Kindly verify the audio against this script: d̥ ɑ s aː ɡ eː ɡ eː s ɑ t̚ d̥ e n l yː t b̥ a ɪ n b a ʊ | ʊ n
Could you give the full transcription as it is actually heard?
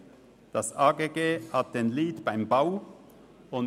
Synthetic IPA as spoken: d̥ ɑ s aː ɡ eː ɡ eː h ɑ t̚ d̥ e n l iː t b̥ a ɪ m b a ʊ | ʊ n